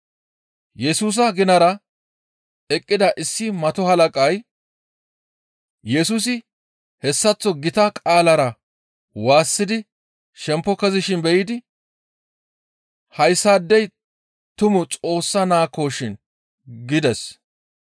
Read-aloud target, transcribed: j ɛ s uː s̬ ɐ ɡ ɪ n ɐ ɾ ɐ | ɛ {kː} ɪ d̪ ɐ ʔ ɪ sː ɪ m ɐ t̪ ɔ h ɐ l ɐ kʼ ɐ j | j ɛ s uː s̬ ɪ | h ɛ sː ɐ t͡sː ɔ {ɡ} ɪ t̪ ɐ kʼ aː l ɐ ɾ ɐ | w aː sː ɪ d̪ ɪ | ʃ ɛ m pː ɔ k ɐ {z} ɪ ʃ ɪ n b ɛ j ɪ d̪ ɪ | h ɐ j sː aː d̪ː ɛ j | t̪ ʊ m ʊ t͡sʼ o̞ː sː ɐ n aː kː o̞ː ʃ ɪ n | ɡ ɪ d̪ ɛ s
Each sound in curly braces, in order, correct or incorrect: incorrect: kʼː, correct, correct

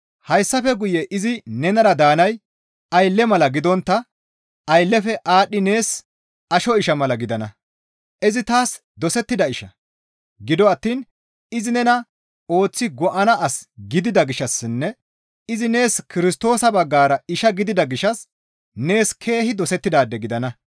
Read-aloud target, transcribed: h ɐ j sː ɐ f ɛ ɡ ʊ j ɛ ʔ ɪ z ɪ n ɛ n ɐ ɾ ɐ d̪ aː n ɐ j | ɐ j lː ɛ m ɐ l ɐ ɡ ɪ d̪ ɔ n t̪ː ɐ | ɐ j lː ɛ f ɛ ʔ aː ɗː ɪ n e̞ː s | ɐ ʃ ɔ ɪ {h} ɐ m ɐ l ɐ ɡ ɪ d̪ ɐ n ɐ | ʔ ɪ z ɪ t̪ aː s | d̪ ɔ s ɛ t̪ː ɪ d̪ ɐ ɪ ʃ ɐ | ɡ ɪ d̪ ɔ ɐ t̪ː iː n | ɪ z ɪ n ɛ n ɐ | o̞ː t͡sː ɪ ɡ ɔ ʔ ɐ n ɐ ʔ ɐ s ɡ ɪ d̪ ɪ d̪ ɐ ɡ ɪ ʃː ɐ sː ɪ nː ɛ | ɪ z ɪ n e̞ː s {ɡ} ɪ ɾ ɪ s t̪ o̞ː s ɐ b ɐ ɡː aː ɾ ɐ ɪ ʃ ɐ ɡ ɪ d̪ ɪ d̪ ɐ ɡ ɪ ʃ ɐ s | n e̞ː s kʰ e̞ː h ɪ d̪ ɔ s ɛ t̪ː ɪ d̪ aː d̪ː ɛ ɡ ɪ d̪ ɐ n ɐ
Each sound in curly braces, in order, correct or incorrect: incorrect: ʃ, incorrect: k

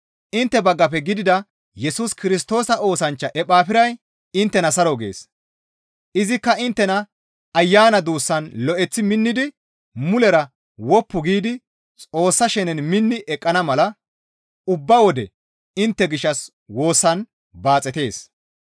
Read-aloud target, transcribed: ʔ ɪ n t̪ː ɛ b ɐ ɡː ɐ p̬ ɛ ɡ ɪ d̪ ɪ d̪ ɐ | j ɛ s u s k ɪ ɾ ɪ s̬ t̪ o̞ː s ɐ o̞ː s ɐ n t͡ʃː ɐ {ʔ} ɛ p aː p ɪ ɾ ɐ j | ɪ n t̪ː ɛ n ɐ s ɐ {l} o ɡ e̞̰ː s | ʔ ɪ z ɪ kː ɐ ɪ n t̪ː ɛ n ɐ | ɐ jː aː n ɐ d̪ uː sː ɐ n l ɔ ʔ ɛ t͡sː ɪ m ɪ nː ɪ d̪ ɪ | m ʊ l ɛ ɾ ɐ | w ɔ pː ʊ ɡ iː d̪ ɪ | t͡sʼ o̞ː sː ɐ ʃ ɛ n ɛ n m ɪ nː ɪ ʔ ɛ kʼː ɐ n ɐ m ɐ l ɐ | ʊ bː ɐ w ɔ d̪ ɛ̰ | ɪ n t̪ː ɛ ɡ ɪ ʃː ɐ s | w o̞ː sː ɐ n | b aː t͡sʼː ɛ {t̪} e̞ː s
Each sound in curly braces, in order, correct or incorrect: correct, incorrect: ɾ, correct

